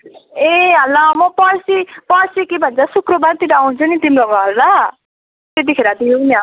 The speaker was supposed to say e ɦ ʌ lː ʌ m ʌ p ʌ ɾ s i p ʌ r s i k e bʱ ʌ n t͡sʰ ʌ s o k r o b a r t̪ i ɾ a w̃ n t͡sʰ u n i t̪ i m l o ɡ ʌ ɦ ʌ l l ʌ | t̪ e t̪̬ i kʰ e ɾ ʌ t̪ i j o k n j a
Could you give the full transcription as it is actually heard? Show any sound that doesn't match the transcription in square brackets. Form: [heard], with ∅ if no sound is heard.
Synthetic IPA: e ɦ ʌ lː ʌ m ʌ p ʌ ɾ s i p ʌ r s i k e bʱ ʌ n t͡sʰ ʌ s [u] k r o b a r t̪ i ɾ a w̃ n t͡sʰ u n i t̪ i m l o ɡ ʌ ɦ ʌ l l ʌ | t̪ e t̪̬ i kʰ e ɾ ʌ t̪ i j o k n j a